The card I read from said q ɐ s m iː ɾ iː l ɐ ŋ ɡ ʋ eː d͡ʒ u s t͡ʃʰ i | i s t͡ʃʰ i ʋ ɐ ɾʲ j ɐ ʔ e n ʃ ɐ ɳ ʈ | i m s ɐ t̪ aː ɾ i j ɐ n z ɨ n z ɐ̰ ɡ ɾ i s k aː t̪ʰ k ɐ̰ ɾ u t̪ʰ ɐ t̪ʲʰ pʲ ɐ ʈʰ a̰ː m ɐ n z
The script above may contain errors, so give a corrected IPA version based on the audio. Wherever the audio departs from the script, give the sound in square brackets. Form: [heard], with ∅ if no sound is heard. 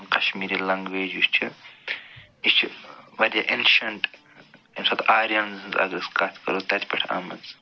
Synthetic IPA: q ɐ [ʃ] m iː ɾ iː l ɐ ŋ ɡ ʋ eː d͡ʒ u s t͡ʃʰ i | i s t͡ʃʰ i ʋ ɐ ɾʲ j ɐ ʔ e n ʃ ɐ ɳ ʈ | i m s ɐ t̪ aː ɾ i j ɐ n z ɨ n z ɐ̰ ɡ ɾ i s k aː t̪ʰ k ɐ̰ ɾ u [t̪] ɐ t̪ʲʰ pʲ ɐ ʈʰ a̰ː m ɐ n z

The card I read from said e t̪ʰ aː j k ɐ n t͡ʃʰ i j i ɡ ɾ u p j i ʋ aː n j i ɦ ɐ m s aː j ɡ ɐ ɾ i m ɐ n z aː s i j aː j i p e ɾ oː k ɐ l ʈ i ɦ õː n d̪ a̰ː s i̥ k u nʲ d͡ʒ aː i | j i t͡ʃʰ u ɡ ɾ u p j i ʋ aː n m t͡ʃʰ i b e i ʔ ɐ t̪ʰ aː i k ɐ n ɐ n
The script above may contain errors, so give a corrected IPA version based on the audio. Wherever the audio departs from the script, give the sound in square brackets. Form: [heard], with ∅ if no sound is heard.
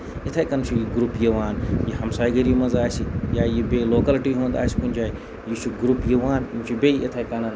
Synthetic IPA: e t̪ʰ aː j k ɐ n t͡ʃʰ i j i ɡ ɾ u p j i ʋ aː n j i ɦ ɐ m s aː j ɡ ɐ ɾ i m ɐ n z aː s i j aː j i [b] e [l] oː k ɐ l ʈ i ɦ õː n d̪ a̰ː s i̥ k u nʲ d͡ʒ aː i | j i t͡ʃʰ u ɡ ɾ u p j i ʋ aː n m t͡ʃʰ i b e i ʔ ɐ t̪ʰ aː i k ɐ n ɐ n

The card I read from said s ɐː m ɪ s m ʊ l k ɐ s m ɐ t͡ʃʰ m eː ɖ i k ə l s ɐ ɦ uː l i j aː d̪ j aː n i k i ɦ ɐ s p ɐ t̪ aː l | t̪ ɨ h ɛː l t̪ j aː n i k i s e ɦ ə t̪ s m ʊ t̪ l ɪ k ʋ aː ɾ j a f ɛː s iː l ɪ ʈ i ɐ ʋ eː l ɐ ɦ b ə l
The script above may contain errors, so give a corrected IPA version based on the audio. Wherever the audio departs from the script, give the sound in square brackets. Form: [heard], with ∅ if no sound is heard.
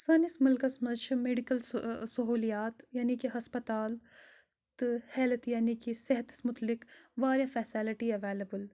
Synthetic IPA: s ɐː [n] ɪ s m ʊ l k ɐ s m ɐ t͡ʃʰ m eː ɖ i k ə l s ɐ ɦ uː l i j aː [t̪] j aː n i k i ɦ ɐ s p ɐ t̪ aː l | t̪ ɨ h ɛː l t̪ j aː n i k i s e ɦ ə t̪ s m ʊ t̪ l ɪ k ʋ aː ɾ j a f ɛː s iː l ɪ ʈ i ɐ ʋ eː l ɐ [∅] b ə l

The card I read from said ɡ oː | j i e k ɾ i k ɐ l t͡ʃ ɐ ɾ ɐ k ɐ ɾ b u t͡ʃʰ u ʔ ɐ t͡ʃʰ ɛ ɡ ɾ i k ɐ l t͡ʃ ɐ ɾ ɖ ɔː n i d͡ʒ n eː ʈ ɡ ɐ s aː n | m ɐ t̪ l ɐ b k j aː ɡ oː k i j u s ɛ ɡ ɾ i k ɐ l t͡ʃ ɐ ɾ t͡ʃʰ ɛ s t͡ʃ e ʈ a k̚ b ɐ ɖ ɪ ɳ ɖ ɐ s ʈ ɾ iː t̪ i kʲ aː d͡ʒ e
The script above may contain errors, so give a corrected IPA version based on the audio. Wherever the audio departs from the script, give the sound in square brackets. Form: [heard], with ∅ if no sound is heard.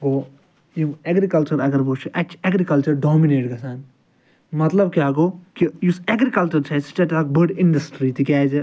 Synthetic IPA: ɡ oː | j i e [ɡ] ɾ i k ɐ l t͡ʃ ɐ ɾ ɐ [ɡ] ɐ ɾ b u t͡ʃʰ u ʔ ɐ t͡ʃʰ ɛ ɡ ɾ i k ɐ l t͡ʃ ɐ ɾ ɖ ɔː [m] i [∅] n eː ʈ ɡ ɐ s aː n | m ɐ t̪ l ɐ b k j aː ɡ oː k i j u s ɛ ɡ ɾ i k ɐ l t͡ʃ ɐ ɾ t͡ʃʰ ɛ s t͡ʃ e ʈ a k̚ b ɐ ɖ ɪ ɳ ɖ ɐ s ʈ ɾ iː t̪ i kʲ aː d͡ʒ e

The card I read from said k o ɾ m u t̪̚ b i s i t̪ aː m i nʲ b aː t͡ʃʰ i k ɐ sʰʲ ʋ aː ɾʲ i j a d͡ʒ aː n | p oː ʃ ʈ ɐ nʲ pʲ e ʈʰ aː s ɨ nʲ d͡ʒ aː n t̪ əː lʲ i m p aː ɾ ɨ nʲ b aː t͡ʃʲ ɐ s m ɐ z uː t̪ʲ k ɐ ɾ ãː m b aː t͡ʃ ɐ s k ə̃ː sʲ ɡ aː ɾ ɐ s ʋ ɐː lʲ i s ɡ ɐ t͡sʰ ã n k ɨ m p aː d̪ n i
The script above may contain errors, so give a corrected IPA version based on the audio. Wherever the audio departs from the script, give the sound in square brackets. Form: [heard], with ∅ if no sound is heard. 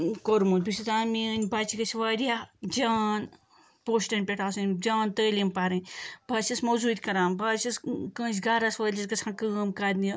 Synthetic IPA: k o ɾ m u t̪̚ b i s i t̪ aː m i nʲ b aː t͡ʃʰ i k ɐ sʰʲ ʋ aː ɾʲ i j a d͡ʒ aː n | p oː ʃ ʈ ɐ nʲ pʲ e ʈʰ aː s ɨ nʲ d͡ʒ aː n t̪ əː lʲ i m p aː ɾ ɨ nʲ b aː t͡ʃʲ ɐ s m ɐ z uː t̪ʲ k ɐ ɾ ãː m b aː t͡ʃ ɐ s k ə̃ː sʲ ɡ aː ɾ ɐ s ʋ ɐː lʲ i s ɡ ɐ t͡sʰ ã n k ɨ m [k] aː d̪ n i

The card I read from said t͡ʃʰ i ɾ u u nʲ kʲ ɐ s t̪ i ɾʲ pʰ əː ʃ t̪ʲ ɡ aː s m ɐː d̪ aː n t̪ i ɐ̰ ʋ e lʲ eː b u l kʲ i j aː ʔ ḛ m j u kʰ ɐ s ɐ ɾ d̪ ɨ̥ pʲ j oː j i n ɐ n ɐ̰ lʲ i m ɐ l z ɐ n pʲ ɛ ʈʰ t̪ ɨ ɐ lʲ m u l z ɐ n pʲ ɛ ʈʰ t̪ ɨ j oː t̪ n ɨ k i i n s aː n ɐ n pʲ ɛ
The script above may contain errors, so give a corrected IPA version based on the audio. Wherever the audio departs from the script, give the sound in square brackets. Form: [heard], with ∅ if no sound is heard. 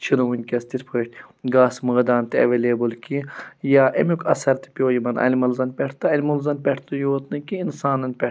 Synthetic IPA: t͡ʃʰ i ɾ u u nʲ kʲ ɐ s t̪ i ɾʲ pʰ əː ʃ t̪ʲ ɡ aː s m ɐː d̪ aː n t̪ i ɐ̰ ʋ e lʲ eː b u l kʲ i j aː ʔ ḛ m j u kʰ ɐ s ɐ ɾ [t̪] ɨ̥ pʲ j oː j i [m] ɐ n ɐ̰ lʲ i m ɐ l z ɐ n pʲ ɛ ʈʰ t̪ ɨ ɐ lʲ m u l z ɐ n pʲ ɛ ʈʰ t̪ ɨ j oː t̪ n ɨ k i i n s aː n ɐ n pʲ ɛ

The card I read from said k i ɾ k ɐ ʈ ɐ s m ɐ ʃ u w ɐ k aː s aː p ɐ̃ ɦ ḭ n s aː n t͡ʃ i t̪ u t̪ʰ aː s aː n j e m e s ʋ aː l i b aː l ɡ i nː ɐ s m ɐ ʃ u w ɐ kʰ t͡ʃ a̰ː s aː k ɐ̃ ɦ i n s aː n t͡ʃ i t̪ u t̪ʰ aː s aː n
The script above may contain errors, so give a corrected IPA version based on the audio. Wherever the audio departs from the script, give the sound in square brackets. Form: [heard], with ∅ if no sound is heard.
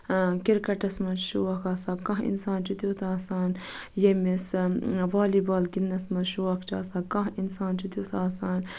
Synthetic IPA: k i ɾ k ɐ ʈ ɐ s m ɐ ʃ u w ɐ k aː s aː [k] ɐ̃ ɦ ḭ n s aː n t͡ʃ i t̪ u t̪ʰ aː s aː n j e m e s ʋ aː l i b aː l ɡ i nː ɐ s m ɐ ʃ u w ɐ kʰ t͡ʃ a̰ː s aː k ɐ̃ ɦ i n s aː n t͡ʃ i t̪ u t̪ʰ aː s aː n

